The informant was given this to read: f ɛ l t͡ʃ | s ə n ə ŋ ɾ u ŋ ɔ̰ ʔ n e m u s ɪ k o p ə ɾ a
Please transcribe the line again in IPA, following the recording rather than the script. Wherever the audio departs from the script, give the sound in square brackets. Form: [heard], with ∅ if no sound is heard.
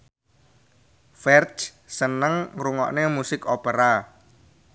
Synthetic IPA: f ɛ [r] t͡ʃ | s ə n ə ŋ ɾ u ŋ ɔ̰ ʔ n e m u s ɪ k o p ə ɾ a